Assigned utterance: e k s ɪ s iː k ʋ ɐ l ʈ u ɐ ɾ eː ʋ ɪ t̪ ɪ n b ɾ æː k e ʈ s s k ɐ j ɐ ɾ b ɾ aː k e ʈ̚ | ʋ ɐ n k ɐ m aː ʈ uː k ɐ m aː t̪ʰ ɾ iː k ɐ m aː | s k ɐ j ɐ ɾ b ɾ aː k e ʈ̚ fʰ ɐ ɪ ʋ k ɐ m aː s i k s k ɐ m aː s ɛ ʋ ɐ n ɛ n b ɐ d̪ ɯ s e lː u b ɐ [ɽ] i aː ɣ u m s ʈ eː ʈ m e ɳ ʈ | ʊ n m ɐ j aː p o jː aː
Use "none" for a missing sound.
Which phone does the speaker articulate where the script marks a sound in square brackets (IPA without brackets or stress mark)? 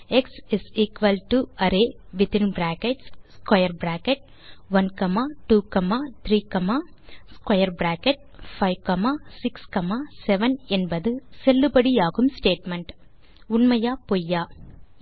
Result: ɽ